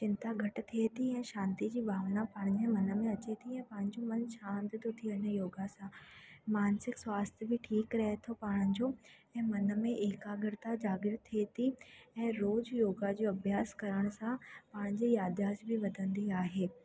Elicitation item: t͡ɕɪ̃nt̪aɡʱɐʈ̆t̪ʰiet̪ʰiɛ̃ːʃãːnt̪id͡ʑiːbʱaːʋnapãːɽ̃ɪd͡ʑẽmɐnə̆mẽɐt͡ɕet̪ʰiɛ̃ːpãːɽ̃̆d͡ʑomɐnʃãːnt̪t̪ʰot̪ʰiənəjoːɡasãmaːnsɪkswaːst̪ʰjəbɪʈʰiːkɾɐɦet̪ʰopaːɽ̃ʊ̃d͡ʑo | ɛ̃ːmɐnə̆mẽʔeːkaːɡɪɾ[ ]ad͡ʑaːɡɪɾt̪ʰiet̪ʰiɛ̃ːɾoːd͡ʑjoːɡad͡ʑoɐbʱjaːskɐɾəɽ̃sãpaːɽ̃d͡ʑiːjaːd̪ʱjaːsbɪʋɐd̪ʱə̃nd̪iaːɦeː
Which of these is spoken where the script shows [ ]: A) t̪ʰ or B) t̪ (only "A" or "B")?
B